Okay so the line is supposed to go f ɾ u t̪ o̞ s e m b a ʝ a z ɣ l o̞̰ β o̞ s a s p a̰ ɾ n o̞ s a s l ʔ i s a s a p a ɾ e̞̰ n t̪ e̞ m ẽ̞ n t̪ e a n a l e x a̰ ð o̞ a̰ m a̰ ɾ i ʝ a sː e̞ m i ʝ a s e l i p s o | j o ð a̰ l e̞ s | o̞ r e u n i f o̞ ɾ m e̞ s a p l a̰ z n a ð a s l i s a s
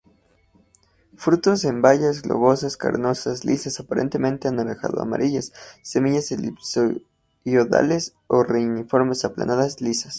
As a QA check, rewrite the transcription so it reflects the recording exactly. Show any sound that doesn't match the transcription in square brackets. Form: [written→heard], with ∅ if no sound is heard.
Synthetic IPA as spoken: f ɾ u t̪ o̞ s e m b a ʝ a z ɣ l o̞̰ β o̞ s a s [p→k] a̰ ɾ n o̞ s a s l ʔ i s a s a p a ɾ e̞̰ n t̪ e̞ m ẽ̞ n t̪ e a n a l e x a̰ ð o̞ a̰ m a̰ ɾ i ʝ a sː e̞ m i ʝ a s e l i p s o | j o ð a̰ l e̞ s | o̞ r e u n i f o̞ ɾ m e̞ s a p l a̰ [z→∅] n a ð a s l i s a s